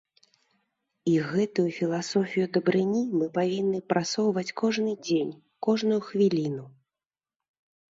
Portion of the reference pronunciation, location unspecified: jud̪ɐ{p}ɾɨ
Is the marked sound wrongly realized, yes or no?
yes